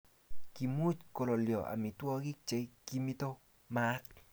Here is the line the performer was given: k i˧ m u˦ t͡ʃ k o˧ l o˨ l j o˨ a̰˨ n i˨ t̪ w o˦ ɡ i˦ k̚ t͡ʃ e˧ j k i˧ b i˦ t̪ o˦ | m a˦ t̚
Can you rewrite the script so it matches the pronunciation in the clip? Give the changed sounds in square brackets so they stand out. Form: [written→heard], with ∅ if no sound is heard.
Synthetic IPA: k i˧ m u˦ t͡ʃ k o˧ l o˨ l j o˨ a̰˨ [n→m] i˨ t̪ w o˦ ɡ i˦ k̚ t͡ʃ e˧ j k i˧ [b→m] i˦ t̪ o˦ | m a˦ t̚